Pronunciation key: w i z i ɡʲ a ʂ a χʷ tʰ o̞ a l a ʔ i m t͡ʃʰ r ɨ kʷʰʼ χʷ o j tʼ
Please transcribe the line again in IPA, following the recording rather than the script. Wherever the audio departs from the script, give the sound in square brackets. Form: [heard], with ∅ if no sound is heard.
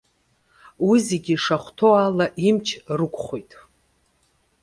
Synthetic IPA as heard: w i z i ɡʲ [i] ʂ a χʷ tʰ o̞ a l a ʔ i m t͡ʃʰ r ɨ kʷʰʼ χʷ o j tʼ